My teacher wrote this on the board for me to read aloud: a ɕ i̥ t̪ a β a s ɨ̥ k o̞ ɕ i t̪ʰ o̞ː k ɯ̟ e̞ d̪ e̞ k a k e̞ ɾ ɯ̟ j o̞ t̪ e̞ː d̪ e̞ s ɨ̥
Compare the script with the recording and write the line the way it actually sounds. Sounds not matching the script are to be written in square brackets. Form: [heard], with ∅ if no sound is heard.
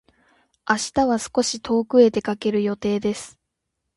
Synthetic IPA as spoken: a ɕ i̥ t̪ a β a s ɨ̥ k o̞ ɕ i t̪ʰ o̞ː k ɯ̟ e̞ [t̪] e̞ k a k e̞ ɾ ɯ̟ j o̞ t̪ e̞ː d̪ e̞ s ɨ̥

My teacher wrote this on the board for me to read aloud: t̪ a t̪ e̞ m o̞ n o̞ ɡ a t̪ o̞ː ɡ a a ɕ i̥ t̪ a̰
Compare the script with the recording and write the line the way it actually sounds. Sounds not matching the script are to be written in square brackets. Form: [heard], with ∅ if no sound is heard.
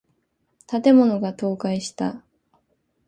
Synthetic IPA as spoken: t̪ a t̪ e̞ m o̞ n o̞ ɡ a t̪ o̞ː [k] a [i] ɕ i̥ t̪ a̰

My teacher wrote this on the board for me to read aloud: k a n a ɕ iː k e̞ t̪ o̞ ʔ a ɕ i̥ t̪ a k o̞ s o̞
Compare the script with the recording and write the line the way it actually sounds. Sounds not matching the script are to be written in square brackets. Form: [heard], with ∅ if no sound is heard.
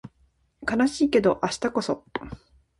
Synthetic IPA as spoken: k a n a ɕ iː k e̞ [d̪] o̞ ʔ a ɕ i̥ t̪ a k o̞ s o̞

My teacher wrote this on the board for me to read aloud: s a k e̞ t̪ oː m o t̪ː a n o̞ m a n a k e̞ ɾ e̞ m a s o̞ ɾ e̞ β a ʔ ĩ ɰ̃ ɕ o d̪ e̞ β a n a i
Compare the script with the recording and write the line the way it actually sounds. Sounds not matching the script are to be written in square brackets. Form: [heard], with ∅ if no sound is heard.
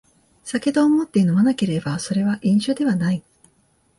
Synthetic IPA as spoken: s a k e̞ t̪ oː m o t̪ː [e] n o̞ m a n a k e̞ ɾ e̞ [b] a s o̞ ɾ e̞ β a ʔ ĩ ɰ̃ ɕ o d̪ e̞ β a n a i

